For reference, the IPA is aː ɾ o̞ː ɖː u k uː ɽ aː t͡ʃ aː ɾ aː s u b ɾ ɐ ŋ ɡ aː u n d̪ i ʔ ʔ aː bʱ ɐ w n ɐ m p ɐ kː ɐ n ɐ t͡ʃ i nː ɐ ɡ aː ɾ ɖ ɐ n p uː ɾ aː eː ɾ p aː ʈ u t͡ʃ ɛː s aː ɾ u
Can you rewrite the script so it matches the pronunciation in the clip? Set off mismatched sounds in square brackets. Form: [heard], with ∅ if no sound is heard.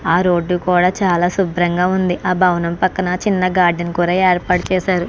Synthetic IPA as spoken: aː ɾ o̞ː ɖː u k uː ɽ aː t͡ʃ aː [l] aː s u b ɾ ɐ ŋ ɡ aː u n d̪ i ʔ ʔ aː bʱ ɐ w n ɐ m p ɐ kː ɐ n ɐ t͡ʃ i nː ɐ ɡ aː ɾ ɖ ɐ n [k] uː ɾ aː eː ɾ p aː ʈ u t͡ʃ ɛː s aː ɾ u